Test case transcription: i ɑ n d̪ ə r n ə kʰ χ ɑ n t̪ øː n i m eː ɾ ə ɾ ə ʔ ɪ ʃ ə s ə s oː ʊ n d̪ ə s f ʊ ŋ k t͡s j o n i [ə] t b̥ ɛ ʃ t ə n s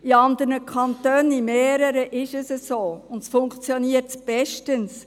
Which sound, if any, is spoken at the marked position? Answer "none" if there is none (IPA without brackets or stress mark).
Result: ə